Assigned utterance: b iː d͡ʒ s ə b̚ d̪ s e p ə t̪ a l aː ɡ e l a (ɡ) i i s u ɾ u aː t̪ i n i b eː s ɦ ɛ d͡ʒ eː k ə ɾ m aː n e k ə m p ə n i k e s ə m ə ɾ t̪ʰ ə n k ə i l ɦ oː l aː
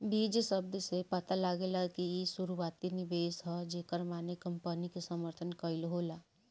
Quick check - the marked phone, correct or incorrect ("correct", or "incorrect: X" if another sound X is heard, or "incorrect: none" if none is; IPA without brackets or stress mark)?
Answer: incorrect: k